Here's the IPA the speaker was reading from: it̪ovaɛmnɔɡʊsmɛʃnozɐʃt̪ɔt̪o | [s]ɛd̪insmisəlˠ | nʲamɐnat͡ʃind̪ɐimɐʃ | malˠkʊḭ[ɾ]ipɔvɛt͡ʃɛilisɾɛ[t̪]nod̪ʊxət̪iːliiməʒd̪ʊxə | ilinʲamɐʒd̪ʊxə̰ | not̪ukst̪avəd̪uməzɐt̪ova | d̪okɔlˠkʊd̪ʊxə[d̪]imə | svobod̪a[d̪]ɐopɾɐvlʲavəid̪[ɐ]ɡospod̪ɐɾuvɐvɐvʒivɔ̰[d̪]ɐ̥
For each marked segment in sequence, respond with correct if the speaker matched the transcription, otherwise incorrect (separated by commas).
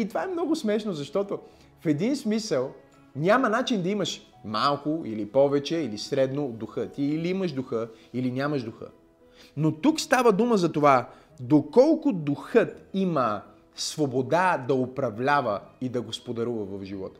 incorrect, incorrect, incorrect, incorrect, correct, correct, incorrect